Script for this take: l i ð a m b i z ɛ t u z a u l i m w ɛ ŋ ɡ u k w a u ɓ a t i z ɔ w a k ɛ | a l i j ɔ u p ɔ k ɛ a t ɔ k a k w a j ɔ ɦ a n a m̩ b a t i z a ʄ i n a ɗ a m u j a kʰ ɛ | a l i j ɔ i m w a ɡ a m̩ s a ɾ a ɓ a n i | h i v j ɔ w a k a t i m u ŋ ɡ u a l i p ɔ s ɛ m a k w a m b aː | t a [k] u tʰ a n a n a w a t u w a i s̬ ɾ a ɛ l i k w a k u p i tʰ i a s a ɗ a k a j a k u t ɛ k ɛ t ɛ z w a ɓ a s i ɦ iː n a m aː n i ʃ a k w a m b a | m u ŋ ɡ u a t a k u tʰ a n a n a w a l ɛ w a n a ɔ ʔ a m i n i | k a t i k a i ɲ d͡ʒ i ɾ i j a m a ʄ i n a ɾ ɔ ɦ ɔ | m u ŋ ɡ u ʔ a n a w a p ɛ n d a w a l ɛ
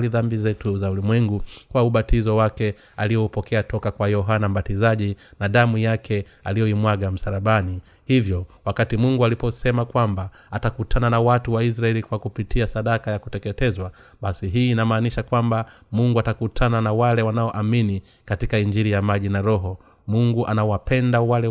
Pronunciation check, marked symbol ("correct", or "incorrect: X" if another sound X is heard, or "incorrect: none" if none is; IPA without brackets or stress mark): correct